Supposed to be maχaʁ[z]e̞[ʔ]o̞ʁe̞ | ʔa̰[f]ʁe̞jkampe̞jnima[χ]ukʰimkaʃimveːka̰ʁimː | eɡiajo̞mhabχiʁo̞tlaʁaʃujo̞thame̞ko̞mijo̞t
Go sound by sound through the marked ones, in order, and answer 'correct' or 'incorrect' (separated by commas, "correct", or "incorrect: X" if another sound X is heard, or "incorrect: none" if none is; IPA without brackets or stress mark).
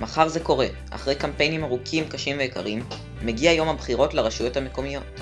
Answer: correct, incorrect: k, incorrect: χ, incorrect: ʁ